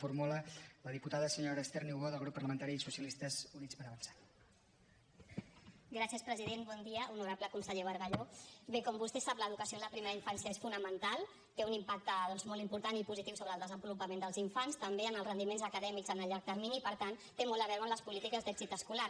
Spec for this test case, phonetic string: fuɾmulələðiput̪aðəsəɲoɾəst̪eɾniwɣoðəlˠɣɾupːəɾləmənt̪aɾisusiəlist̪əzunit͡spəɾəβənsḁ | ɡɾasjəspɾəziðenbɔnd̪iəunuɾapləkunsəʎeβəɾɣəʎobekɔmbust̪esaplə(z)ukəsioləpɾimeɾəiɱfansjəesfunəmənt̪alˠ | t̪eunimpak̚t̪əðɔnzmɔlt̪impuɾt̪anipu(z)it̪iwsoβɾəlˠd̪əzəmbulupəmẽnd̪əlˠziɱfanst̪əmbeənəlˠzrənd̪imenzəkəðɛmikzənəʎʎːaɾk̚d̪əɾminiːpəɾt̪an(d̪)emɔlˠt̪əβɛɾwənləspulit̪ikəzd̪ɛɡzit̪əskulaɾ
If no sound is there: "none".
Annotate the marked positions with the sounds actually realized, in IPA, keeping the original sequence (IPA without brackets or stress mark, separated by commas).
ð, z, t̪